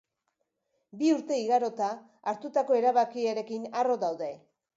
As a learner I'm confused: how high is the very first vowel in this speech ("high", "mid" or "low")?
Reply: high